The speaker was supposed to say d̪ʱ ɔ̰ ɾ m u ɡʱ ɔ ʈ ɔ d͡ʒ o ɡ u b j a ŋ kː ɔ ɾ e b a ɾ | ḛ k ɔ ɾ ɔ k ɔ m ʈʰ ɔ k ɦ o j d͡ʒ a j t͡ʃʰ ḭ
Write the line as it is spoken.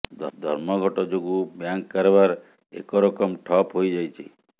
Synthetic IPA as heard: d̪ʱ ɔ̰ ɾ m ɔ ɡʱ ɔ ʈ ɔ d͡ʒ o ɡ u b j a ŋ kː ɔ ɾ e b a ɾ | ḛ k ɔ ɾ ɔ k ɔ m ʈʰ ɔ p ɦ o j d͡ʒ a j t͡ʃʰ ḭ